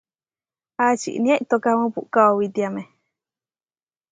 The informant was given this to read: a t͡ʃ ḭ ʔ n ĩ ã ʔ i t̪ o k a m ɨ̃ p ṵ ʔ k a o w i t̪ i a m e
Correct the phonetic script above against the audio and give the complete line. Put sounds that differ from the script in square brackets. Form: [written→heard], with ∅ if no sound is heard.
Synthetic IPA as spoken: a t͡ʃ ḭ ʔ n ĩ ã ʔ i t̪ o k a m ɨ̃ p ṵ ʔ k a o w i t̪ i a m e